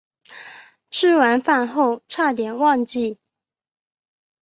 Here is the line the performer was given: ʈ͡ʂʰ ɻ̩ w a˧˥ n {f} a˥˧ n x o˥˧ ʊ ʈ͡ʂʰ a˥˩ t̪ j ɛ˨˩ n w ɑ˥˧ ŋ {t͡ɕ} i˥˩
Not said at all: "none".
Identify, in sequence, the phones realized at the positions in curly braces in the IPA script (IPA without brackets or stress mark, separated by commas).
f, t͡ɕ